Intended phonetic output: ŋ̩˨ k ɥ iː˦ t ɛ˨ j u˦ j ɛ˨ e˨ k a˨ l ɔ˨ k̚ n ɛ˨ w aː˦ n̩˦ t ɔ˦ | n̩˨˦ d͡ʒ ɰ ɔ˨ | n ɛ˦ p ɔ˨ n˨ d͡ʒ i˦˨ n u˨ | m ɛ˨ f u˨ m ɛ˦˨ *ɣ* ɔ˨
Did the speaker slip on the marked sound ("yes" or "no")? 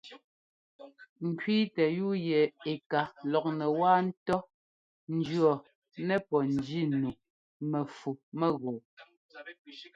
no